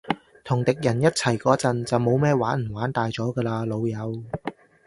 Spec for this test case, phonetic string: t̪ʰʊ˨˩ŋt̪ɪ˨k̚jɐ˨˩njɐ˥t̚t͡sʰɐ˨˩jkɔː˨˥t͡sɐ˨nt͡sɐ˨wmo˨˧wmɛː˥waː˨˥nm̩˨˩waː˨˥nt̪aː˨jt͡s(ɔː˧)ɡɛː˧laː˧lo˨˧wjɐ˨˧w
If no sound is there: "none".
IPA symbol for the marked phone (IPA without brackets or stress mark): ɔː˨˥